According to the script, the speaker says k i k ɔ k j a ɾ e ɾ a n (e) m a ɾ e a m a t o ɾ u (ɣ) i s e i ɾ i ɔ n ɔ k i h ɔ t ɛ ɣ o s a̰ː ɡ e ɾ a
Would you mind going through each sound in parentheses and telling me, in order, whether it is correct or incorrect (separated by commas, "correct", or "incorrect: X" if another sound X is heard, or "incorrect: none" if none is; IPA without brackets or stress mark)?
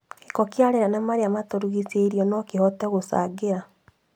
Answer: incorrect: a, correct